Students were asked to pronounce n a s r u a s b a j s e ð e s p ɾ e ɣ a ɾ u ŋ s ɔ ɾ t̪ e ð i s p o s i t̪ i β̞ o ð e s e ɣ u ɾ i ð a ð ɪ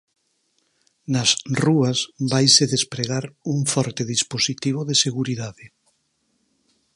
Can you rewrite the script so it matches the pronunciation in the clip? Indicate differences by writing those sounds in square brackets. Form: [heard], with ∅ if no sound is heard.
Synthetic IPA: n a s r u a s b a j s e ð e s p ɾ e ɣ a ɾ u ŋ [f] ɔ ɾ t̪ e ð i s p o s i t̪ i β̞ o ð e s e ɣ u ɾ i ð a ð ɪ